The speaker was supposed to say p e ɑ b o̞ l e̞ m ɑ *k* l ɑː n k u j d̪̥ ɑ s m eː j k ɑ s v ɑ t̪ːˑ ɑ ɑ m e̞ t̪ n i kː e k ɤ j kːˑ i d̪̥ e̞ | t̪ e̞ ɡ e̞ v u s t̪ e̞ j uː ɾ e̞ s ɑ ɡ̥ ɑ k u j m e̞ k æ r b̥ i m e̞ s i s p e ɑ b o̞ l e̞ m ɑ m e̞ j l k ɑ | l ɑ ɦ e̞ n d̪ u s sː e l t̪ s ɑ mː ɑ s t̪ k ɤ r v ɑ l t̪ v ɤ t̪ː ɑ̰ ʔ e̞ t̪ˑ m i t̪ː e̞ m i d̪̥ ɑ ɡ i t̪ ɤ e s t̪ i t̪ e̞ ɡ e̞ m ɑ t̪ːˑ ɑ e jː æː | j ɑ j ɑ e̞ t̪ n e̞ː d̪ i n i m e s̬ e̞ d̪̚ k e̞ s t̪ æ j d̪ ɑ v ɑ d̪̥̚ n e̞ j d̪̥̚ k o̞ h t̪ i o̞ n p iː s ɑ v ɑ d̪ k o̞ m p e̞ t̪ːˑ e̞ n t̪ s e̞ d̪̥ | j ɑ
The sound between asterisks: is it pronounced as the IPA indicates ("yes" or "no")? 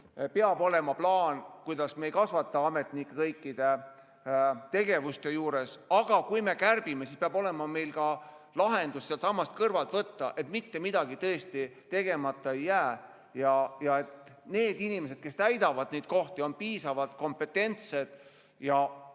no